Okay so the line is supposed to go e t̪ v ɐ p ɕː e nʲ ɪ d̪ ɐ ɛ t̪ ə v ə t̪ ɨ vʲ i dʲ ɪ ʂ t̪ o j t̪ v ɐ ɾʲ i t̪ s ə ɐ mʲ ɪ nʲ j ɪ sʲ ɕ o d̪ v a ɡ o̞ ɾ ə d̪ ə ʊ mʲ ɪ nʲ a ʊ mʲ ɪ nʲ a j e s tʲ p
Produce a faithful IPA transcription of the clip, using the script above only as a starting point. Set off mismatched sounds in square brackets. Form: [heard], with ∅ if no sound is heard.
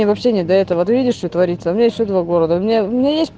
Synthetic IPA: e [∅] v ɐ p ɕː e nʲ ɪ d̪ ɐ ɛ t̪ ə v ə t̪ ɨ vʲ i dʲ ɪ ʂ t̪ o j t̪ v ɐ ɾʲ i t̪ s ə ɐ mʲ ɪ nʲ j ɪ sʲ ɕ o d̪ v a ɡ o̞ ɾ ə d̪ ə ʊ mʲ ɪ nʲ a ʊ mʲ ɪ nʲ a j e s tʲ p